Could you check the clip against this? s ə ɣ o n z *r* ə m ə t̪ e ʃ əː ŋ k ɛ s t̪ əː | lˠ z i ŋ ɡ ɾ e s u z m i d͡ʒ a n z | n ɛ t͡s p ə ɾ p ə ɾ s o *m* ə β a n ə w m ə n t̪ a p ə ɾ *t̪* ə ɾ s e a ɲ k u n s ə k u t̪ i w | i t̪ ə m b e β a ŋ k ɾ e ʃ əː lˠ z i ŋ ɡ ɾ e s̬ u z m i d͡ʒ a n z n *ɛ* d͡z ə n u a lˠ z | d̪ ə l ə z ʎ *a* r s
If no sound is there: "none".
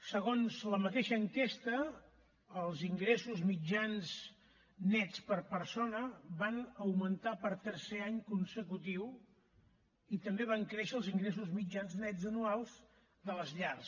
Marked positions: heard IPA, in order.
l, n, t̪, ɛ, a

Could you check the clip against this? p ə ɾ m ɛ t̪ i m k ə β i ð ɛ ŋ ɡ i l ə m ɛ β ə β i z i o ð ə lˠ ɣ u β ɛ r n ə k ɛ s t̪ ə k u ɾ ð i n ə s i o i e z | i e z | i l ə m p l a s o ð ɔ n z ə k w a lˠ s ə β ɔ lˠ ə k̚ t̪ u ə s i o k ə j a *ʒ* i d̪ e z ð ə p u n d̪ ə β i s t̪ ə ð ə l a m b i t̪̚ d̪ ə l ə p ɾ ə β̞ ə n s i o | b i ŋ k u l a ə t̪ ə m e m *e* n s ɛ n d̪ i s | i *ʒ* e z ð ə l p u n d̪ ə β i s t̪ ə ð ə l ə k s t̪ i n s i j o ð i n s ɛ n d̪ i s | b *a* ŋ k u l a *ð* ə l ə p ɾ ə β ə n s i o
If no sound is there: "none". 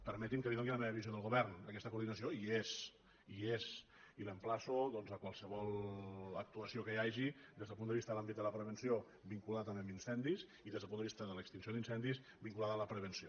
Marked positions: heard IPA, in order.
ʒ, i, ð, i, ð

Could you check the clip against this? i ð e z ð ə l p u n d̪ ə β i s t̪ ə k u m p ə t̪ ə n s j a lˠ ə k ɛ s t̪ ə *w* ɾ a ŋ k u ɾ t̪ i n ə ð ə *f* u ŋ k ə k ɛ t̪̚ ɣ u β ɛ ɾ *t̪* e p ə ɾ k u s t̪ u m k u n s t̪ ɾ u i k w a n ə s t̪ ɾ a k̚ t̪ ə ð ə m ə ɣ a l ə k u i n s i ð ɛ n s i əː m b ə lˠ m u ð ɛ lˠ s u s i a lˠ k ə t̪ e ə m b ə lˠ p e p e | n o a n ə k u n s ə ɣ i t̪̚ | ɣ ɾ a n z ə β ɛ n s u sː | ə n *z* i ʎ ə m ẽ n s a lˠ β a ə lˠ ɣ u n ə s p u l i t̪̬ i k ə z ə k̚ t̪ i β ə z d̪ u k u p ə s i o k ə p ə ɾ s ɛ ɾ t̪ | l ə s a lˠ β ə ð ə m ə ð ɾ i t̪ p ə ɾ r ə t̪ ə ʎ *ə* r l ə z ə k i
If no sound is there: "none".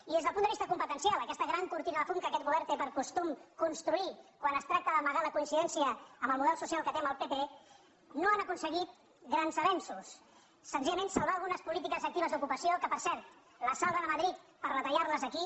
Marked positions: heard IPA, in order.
ɣ, f, t̪, z, a

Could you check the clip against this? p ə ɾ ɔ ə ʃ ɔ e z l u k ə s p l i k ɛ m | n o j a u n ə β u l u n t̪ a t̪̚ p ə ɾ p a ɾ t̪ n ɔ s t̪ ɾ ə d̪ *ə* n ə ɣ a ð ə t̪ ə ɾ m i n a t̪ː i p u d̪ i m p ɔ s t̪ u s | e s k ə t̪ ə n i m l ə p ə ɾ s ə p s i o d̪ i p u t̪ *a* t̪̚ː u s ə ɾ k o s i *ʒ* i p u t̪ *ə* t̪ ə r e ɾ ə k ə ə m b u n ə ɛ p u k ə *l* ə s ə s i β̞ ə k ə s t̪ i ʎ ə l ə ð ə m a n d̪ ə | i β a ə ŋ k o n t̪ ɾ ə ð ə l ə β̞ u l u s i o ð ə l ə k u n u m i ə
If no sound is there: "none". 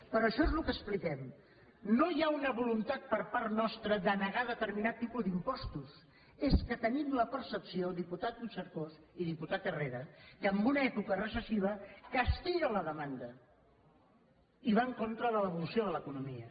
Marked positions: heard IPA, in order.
ə, a, ð, a, r

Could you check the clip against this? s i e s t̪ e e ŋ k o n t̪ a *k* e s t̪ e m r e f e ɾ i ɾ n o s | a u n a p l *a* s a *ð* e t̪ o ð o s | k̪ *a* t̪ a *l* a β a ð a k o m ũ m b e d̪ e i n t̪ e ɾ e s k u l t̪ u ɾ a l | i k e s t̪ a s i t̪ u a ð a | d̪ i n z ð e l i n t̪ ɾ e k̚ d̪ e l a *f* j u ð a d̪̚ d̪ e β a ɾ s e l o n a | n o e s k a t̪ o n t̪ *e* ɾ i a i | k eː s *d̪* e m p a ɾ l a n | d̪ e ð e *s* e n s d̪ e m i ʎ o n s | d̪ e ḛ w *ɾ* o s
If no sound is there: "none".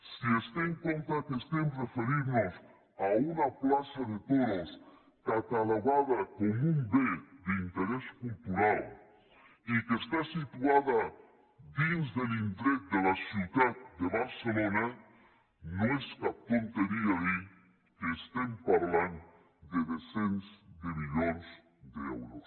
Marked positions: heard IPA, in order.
k, a, ð, a, l, s, e, t̪, s, ɾ

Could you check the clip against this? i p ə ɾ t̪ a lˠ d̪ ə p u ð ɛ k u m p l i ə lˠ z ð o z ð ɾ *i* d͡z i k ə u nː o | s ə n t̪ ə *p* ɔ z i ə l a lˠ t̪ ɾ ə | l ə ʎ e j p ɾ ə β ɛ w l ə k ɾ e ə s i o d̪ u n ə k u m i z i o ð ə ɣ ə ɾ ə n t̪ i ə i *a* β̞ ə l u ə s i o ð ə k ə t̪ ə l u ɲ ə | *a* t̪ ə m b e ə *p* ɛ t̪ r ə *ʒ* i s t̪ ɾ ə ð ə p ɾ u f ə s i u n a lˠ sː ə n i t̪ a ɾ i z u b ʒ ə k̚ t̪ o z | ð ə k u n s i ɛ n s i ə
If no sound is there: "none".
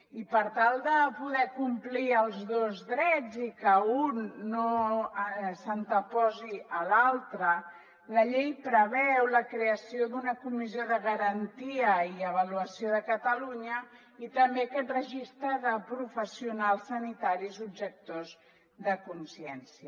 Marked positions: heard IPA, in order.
ɛ, p, ə, i, k, ʒ

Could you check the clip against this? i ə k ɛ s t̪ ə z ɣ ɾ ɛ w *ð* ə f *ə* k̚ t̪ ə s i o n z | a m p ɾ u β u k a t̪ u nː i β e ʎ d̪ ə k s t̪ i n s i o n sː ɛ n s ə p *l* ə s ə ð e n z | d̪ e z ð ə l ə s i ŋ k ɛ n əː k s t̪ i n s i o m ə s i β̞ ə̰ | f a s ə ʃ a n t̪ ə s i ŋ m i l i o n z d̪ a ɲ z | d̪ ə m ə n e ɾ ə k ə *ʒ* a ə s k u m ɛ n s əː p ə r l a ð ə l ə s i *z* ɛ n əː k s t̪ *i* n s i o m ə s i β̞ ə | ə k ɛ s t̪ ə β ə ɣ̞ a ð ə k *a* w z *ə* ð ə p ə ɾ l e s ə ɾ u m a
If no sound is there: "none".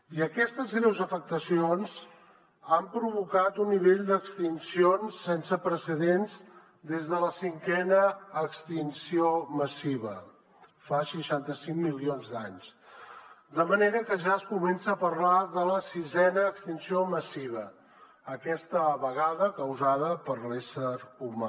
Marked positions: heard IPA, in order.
z, ə, ɾ, ʒ, z, i, ə, a

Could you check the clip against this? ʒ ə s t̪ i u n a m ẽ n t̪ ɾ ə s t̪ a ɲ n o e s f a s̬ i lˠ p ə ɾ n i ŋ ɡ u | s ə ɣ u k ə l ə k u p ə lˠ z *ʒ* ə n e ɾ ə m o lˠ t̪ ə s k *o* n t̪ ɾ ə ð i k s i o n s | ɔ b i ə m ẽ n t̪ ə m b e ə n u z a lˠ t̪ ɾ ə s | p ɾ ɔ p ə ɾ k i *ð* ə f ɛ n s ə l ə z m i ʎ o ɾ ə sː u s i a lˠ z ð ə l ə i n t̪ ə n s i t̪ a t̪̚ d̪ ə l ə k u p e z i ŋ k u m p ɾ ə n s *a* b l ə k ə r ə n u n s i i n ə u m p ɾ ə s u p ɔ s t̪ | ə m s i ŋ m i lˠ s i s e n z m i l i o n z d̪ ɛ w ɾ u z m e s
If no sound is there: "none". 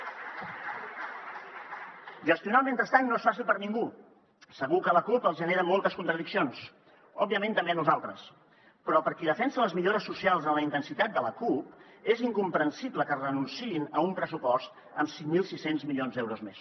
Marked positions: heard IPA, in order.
ʒ, u, ð, i

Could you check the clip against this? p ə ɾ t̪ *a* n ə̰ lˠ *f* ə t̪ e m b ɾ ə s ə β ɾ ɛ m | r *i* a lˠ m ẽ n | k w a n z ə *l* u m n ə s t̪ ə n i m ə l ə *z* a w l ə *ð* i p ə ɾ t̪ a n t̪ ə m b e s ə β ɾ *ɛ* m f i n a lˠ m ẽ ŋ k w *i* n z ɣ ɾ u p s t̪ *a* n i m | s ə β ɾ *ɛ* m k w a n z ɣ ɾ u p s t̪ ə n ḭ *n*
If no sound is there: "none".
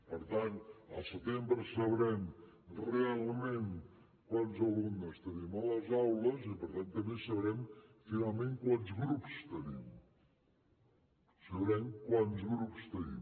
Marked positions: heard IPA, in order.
a, s, e, l, z, z, ɛ, a, ə, ɛ, m

